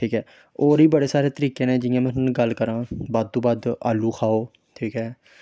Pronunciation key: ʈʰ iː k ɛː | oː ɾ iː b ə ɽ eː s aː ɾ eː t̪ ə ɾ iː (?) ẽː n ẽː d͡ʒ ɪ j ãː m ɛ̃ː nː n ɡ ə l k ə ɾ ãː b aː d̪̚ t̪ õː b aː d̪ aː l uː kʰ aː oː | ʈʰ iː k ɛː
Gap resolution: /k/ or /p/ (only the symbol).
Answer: k